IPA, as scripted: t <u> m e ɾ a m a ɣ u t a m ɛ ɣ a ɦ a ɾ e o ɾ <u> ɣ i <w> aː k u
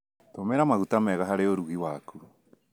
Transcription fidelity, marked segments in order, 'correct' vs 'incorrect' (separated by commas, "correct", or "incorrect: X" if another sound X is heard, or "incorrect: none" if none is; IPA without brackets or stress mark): incorrect: o, correct, correct